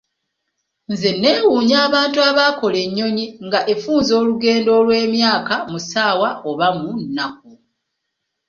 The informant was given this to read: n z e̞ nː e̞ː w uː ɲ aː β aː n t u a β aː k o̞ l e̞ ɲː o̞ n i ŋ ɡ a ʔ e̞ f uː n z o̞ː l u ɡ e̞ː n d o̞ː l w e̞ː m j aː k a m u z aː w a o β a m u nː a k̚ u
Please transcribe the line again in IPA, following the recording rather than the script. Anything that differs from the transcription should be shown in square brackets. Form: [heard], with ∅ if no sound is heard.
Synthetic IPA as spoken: n z e̞ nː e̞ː w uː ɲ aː β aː n t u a β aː k o̞ l e̞ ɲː o̞ [ɲ] i ŋ ɡ a ʔ e̞ f uː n z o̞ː l u ɡ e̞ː n d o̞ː l w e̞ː m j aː k a m u [s] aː w a o β a m u nː a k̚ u